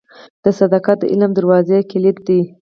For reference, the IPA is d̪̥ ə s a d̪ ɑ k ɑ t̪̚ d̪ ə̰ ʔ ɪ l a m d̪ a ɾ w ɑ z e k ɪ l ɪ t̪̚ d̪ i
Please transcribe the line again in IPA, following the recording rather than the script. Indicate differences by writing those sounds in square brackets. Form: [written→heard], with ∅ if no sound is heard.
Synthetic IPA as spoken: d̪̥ ə s a d̪ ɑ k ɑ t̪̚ d̪ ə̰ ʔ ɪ l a m d̪ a ɾ w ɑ z e k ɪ l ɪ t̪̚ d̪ i